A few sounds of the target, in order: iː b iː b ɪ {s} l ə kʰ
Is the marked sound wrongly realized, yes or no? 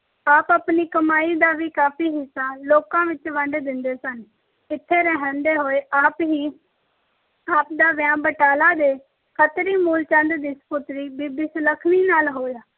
no